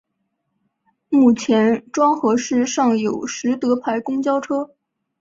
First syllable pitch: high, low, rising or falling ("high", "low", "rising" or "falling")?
falling